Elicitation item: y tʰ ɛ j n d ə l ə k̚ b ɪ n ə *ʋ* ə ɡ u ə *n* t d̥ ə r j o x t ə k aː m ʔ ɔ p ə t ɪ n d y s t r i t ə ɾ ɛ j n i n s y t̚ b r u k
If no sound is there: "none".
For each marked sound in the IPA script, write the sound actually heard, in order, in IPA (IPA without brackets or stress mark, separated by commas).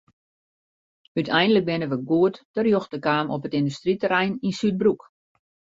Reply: ʋ, none